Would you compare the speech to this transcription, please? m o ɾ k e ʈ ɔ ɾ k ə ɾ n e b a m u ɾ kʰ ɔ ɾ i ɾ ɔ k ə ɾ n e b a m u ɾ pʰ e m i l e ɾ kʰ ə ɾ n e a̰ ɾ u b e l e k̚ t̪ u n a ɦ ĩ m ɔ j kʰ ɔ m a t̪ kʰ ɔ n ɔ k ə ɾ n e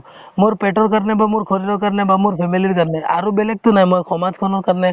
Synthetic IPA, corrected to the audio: m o ɾ p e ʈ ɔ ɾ k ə ɾ n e b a m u ɾ kʰ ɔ ɾ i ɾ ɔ k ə ɾ n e b a m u ɾ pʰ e m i l i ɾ k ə ɾ n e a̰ ɾ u b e l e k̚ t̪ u n a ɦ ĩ m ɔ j kʰ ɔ m a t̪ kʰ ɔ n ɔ k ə ɾ n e

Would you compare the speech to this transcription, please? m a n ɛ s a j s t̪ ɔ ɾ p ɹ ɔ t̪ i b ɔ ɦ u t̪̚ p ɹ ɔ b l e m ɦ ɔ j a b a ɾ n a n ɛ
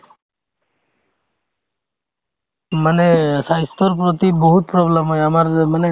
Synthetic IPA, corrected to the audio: m a n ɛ s a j s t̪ ɔ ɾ p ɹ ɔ t̪ i b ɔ ɦ u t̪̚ p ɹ ɔ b l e m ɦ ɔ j a m a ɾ m a n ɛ

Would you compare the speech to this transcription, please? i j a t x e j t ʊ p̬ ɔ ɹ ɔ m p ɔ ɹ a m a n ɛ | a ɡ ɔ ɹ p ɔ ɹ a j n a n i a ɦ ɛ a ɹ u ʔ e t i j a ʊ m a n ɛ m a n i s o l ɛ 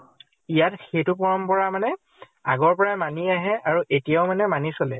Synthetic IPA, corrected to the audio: i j a t x e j t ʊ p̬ ɔ ɹ ɔ m p ɔ ɹ a m a n ɛ | a ɡ ɔ ɹ p ɔ ɹ a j m a n i a ɦ ɛ a ɹ u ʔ e t i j a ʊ m a n ɛ m a n i s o l ɛ

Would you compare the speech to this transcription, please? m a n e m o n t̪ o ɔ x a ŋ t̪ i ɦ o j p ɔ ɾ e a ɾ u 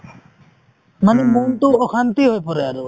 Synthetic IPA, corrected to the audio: m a n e m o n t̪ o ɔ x a n t̪ i ɦ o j p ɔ ɾ e a ɾ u

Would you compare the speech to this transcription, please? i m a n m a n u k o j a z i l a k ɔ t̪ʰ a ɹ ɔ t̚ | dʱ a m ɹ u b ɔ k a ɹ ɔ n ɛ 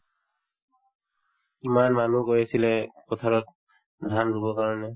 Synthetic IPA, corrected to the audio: i m a n m a n u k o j a s i l ɛ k ɔ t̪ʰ a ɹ ɔ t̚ | dʱ a n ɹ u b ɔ k a ɹ ɔ n ɛ

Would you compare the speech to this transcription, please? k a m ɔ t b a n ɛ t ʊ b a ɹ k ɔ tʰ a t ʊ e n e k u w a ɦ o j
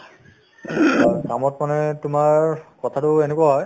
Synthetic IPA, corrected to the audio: k a m ɔ t m a n ɛ t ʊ m a ɹ k ɔ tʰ a t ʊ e n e k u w a ɦ ɔ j

